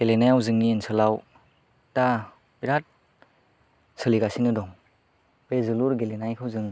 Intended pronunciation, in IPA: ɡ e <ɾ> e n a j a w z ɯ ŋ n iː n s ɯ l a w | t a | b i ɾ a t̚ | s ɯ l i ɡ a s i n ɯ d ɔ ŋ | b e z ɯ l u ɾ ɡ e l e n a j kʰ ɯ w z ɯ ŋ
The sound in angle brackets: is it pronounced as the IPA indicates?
no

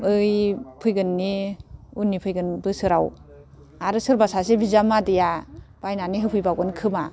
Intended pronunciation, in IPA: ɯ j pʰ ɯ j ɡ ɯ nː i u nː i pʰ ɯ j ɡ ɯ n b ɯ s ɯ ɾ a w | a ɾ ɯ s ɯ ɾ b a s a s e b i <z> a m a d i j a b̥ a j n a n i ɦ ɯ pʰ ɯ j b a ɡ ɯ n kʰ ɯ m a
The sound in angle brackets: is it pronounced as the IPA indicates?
yes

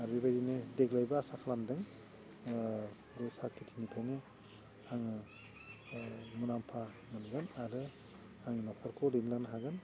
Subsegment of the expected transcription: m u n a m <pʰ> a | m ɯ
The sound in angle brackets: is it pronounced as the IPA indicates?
yes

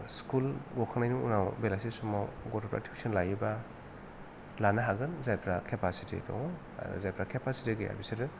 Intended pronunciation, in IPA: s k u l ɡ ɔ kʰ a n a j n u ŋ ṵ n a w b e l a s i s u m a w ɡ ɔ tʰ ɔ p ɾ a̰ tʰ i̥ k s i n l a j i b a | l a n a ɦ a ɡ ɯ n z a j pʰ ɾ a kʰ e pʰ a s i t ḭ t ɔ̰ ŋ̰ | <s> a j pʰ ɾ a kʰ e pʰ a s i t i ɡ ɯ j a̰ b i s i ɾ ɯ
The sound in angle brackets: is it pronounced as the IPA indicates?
no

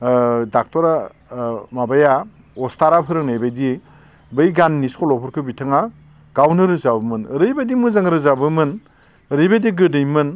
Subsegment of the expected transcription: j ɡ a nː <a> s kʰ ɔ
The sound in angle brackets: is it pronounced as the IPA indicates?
no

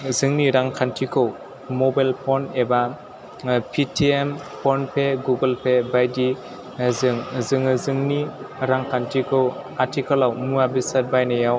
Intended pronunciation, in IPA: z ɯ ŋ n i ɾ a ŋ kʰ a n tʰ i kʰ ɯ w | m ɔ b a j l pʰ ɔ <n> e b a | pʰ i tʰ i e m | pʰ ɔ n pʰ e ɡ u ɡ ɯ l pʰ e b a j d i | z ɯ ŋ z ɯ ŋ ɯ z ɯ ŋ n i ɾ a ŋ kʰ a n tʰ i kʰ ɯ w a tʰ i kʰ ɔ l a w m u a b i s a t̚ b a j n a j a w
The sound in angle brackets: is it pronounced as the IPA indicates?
yes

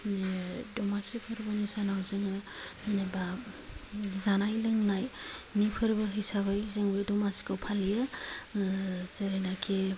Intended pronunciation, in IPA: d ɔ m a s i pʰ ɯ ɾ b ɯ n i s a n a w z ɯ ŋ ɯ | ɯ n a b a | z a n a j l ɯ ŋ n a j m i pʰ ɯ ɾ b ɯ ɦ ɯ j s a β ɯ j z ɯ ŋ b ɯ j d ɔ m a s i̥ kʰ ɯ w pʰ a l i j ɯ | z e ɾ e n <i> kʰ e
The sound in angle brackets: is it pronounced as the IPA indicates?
no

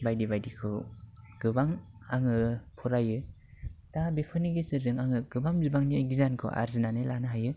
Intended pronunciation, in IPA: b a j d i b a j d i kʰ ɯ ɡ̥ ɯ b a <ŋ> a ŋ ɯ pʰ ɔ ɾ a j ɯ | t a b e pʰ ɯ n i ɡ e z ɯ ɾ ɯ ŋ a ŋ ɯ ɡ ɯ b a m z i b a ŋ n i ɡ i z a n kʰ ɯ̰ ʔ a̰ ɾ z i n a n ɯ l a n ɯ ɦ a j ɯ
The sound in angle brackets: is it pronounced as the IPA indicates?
yes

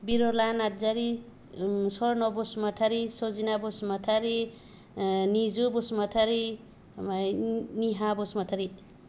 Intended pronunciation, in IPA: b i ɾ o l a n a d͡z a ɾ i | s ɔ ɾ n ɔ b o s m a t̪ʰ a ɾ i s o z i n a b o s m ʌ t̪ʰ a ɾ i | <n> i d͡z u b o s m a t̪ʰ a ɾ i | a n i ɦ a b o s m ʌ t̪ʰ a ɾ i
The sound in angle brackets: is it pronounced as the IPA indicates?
yes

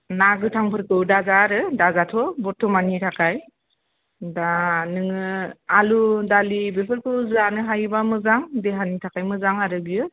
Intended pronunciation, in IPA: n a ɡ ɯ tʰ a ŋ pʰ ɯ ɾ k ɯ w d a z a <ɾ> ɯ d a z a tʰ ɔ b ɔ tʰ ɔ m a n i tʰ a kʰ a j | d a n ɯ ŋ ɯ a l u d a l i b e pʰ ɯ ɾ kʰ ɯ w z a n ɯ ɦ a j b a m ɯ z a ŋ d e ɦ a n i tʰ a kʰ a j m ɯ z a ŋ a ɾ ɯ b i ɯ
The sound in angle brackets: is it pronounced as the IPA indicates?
yes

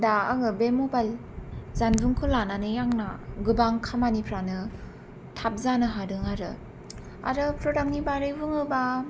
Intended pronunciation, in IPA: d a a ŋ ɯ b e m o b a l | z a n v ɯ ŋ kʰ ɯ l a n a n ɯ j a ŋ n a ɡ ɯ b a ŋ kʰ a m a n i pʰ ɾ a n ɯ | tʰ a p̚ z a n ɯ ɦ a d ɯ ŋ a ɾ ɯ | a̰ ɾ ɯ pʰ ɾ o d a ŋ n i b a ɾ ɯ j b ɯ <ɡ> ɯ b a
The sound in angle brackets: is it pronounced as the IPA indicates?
no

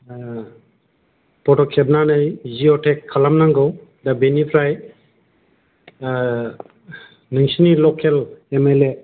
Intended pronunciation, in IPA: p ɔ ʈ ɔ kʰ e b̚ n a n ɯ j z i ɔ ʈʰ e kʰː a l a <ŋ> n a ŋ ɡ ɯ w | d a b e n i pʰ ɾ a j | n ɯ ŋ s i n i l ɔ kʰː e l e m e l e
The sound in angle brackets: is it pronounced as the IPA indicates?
no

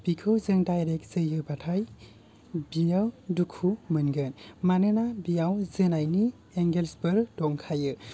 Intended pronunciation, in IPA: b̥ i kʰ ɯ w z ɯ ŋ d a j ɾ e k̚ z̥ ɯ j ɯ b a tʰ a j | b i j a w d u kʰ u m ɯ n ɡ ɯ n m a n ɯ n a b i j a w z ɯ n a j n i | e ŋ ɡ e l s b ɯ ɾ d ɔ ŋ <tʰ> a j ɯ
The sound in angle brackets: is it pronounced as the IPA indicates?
no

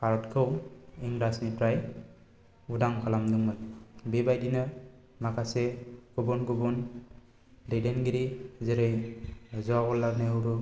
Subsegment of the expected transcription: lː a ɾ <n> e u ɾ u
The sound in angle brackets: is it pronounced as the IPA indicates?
yes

